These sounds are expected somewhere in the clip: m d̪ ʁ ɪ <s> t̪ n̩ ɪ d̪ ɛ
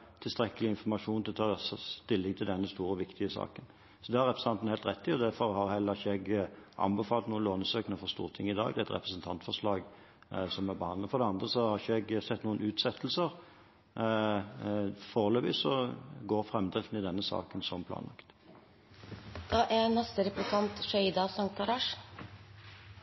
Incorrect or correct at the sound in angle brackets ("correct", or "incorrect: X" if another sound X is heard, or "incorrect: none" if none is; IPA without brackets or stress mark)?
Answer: incorrect: f